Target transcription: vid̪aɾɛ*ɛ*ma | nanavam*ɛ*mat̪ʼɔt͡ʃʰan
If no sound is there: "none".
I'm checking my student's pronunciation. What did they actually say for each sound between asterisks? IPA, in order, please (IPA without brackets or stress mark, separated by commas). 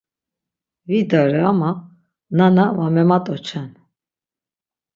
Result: a, ɛ